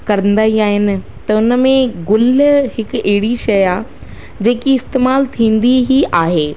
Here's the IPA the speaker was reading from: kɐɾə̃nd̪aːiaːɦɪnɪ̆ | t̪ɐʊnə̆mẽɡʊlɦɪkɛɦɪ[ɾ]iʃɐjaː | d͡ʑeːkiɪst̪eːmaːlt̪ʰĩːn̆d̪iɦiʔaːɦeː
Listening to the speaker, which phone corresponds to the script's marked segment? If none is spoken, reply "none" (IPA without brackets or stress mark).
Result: ɽ